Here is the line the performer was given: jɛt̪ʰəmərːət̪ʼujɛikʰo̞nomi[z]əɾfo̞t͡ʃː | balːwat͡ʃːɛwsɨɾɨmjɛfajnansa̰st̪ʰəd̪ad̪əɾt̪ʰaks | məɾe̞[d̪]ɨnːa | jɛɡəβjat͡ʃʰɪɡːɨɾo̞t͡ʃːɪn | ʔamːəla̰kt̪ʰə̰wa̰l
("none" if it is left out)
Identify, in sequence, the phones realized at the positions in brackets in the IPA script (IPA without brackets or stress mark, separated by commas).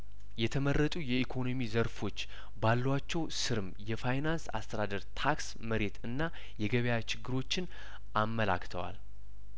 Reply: z, t̪